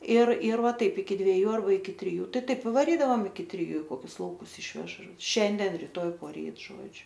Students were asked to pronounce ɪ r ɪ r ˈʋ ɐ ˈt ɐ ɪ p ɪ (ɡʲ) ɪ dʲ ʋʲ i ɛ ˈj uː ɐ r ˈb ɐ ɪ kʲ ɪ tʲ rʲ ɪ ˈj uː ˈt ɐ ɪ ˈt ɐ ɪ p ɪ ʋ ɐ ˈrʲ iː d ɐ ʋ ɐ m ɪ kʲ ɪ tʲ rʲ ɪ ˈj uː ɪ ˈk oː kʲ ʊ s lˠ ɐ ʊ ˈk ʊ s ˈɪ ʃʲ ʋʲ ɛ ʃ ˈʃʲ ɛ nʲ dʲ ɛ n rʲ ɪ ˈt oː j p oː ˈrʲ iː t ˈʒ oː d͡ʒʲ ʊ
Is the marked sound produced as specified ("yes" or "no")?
no